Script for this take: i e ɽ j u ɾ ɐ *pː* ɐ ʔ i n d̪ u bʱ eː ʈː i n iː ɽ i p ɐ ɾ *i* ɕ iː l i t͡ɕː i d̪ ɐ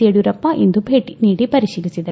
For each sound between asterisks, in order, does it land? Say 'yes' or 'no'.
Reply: yes, yes

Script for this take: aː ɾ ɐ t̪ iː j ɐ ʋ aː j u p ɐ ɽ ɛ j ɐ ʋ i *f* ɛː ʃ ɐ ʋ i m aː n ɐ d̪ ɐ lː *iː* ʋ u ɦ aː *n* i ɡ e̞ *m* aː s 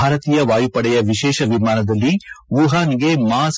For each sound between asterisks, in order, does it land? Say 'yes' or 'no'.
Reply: no, no, yes, yes

